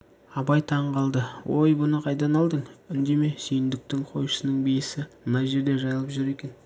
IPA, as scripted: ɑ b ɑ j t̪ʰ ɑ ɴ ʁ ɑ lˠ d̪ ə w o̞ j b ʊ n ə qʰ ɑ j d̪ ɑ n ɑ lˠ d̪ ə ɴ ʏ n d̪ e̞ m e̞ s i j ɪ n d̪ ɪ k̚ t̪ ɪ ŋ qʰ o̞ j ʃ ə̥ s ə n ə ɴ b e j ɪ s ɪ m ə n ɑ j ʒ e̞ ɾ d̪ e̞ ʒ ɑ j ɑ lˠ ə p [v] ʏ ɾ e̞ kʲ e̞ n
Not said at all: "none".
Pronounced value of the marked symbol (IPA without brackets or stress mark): ʒ